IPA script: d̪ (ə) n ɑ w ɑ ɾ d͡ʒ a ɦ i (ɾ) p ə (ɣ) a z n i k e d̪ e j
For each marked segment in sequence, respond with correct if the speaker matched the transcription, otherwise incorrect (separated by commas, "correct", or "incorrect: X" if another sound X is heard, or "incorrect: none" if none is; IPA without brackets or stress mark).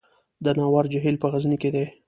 correct, incorrect: l, correct